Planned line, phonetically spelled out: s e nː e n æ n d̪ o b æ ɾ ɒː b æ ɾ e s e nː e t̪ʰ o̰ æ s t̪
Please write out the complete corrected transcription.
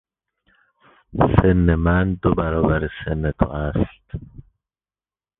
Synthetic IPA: s e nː e m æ n d̪ o b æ ɾ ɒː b æ ɾ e s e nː e t̪ʰ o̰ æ s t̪